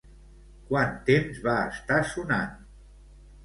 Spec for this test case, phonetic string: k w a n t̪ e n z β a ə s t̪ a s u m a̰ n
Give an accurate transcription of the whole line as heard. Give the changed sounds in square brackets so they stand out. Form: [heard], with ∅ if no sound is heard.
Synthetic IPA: k w a n t̪ e [m] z β a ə s t̪ a s u [n] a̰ n